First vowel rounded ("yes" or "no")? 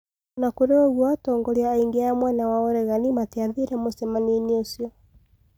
no